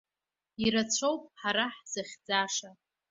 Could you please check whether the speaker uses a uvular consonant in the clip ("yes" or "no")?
yes